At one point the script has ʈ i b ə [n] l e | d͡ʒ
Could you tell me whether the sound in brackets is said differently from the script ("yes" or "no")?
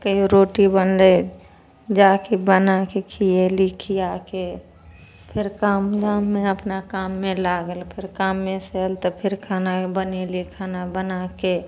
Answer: no